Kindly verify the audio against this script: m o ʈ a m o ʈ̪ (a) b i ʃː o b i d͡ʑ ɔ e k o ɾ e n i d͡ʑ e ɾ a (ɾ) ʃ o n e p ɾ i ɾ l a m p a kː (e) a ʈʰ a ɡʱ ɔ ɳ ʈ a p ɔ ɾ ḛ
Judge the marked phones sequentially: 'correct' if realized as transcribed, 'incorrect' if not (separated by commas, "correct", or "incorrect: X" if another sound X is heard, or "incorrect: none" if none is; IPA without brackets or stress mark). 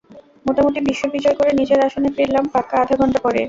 incorrect: i, incorrect: none, incorrect: a